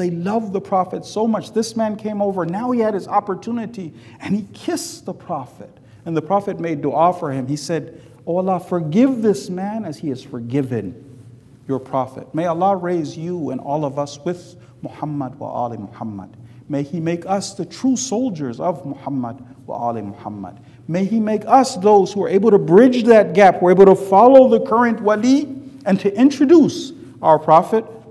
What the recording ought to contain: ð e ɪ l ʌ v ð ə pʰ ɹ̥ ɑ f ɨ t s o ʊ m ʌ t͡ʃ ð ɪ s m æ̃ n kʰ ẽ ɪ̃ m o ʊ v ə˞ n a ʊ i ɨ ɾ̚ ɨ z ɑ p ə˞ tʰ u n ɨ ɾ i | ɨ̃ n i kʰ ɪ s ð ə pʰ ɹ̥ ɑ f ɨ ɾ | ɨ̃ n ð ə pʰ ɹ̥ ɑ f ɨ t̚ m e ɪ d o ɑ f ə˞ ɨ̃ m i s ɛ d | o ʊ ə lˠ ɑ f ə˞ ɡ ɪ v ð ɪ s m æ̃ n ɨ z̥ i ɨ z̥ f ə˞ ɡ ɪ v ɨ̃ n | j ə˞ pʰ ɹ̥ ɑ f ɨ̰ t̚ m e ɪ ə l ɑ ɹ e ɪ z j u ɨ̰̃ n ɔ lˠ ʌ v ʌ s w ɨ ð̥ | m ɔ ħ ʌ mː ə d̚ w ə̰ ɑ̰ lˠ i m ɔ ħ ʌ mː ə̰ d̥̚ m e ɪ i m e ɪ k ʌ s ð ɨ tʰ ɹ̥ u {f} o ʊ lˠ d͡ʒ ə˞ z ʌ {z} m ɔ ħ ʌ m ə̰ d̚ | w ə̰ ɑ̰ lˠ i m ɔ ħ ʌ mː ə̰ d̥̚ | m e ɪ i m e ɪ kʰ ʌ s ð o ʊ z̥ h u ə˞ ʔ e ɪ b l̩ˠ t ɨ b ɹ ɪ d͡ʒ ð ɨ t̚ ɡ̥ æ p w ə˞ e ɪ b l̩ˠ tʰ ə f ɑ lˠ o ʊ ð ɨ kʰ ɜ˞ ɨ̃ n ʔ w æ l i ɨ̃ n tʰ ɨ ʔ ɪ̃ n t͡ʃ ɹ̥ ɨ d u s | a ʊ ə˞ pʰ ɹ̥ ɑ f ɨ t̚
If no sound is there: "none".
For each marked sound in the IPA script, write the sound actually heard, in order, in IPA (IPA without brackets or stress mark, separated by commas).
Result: s, v